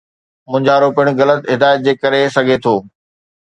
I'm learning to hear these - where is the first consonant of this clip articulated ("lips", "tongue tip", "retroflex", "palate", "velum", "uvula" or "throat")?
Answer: lips